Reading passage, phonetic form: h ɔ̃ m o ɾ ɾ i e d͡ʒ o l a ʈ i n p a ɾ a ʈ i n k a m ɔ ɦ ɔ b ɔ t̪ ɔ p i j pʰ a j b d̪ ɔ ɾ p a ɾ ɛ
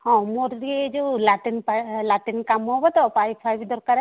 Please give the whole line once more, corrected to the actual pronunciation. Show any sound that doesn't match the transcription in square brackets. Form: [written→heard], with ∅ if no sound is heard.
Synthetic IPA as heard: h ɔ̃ m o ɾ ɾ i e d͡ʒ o l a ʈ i n p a [ɾ→l] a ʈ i n k a m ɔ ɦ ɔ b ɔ t̪ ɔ p [i→a] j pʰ a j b d̪ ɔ ɾ [p→k] a ɾ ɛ